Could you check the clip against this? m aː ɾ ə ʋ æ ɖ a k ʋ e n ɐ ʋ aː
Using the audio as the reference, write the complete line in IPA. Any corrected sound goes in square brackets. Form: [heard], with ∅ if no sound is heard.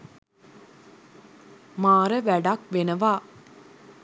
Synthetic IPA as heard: m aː ɾ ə ʋ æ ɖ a k ʋ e n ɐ ʋ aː